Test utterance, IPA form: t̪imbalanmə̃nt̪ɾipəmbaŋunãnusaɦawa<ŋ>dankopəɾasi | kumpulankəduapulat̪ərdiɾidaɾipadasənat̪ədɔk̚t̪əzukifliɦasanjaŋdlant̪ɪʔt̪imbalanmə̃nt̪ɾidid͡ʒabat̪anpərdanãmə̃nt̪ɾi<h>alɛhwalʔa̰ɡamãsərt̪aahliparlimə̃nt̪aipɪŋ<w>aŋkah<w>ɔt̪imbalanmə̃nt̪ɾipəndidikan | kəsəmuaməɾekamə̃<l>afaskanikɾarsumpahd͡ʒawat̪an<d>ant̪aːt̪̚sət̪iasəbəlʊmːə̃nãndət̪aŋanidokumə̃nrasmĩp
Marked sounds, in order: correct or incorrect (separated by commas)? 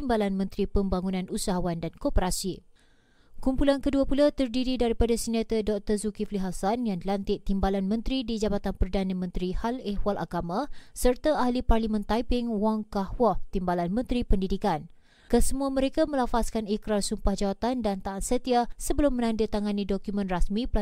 incorrect, correct, correct, correct, correct, correct